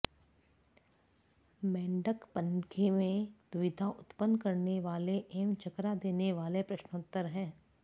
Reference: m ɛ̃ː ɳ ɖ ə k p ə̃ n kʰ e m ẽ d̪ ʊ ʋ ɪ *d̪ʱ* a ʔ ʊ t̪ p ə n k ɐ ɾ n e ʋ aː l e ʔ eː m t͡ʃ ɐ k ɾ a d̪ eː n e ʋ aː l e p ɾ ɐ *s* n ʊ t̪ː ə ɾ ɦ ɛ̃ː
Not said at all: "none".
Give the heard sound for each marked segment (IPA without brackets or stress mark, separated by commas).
d̪ʱ, ʃ